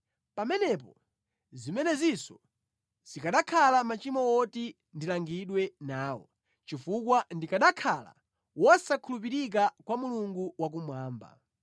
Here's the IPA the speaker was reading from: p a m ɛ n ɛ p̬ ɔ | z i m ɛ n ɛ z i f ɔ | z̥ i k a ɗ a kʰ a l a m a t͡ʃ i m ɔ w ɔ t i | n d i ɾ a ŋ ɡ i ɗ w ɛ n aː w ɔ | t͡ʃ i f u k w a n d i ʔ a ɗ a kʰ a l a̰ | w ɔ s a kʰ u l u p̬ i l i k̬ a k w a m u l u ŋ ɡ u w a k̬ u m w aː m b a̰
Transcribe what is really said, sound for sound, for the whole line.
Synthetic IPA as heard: p a m ɛ n ɛ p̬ ɔ | z i m ɛ n ɛ z i s ɔ | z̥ i k a ɗ a kʰ a l a m a t͡ʃ i m ɔ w ɔ t i | n d i l a ŋ ɡ i ɗ w ɛ n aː w ɔ | t͡ʃ i f u k w a n d i k a ɗ a kʰ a l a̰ | w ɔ s a kʰ u l u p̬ i ɾ i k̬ a k w a m u l u ŋ ɡ u w a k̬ u m w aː m b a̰